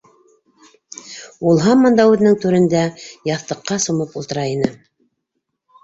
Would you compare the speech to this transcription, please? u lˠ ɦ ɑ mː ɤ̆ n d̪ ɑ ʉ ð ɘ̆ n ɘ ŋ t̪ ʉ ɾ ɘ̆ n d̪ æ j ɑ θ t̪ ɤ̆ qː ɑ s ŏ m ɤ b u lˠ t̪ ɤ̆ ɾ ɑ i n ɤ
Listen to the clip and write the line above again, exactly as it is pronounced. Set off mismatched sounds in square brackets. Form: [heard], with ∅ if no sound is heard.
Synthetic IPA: u lˠ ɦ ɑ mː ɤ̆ n d̪ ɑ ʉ ð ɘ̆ n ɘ ŋ t̪ ʉ ɾ ɘ̆ n d̪ æ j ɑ θ t̪ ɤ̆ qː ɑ s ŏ m ɤ [p] u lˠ t̪ ɤ̆ ɾ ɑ i n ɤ